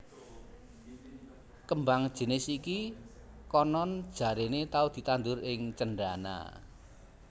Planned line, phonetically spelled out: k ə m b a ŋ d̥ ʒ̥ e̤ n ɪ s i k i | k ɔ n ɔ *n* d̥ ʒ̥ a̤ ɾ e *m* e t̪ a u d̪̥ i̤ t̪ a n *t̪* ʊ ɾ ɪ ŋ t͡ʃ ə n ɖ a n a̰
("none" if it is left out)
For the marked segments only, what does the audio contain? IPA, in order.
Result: n, n, d̪

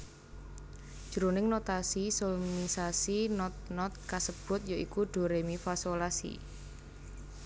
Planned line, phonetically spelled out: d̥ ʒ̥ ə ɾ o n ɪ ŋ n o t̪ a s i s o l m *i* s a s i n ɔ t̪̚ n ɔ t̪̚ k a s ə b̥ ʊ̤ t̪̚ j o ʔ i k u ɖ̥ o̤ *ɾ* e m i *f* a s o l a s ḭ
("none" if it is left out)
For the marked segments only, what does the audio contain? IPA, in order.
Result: i, ɾ, f

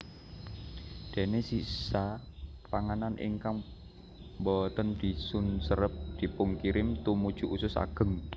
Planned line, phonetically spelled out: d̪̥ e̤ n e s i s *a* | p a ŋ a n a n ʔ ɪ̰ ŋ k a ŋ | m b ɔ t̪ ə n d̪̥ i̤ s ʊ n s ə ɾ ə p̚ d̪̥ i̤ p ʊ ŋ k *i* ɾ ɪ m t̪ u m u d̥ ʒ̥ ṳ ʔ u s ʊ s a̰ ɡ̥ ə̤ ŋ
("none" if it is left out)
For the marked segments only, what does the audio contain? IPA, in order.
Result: a, i

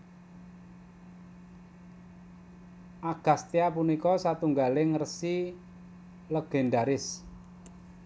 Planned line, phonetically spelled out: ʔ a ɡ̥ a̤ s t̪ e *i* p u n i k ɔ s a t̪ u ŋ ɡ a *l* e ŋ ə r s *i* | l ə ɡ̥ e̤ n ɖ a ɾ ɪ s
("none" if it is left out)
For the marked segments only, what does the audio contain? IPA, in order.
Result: a, l, i

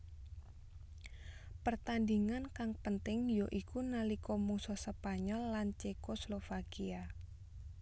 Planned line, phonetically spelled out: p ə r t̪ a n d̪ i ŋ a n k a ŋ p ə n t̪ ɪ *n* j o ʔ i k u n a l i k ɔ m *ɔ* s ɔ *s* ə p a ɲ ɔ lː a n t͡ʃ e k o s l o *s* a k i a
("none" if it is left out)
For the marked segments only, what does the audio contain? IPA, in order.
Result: ŋ, u, s, f

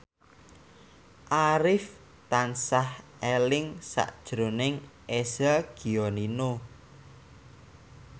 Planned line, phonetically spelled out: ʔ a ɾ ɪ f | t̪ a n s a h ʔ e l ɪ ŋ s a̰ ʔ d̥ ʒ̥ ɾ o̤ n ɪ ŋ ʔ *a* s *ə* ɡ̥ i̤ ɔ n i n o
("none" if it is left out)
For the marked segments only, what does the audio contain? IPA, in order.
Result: e, a

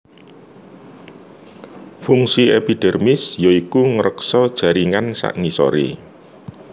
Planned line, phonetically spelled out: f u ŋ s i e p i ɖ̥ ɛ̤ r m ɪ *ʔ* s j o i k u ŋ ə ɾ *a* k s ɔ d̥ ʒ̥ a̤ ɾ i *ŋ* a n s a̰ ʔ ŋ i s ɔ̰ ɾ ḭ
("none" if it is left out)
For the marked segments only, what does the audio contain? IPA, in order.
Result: none, ə, ŋ

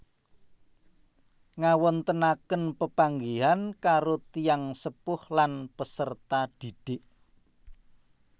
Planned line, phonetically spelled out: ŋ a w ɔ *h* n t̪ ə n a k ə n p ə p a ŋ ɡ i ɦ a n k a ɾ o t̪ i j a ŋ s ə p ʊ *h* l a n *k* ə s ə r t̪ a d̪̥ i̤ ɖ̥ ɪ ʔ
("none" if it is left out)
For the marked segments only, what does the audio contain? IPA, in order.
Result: none, h, p

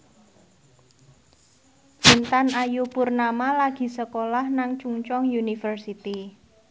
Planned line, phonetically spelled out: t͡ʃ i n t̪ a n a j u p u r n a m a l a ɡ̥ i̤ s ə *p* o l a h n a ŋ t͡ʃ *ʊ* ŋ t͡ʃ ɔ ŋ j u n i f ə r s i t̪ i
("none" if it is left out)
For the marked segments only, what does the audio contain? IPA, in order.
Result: k, u

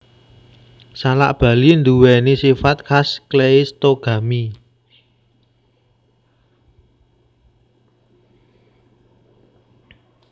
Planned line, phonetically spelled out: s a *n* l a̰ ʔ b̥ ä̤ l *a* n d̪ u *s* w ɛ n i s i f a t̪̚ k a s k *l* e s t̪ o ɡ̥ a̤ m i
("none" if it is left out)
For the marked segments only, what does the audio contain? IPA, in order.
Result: none, i, none, l

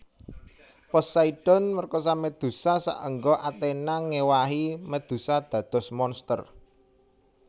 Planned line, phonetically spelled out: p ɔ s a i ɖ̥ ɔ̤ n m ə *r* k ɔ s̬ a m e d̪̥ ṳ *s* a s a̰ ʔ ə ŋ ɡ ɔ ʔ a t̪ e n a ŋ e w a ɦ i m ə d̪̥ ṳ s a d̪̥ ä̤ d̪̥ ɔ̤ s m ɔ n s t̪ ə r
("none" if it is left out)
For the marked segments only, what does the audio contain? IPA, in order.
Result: r, s

